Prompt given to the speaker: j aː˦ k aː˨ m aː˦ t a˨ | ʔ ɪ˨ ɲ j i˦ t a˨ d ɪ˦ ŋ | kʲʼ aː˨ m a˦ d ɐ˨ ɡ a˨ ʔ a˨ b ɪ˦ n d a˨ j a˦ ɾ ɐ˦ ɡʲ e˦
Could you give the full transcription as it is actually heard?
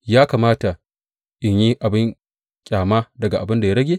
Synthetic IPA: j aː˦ k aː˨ m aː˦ t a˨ | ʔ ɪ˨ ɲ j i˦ ʔ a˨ b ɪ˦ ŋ | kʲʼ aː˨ m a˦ d ɐ˨ ɡ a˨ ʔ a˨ b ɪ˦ n d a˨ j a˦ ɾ ɐ˦ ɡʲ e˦